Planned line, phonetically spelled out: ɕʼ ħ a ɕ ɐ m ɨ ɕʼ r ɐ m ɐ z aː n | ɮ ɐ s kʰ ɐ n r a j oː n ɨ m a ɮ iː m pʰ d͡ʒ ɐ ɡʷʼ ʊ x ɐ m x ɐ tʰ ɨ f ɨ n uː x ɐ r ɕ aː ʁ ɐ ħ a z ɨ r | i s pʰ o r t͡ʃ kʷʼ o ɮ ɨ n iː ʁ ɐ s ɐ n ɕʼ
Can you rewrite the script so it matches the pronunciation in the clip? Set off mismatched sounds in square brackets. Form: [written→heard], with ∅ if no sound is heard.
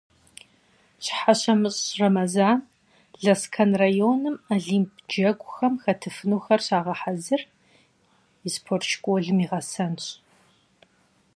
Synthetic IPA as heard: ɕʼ ħ a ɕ ɐ m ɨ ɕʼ r ɐ m ɐ z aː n | ɮ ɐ s kʰ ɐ n r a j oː n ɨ m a ɮ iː m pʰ d͡ʒ ɐ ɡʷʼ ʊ x ɐ m x ɐ tʰ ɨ f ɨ n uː x ɐ r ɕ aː ʁ ɐ ħ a z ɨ r | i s pʰ o r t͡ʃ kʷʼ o ɮ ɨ [n→m] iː ʁ ɐ s ɐ n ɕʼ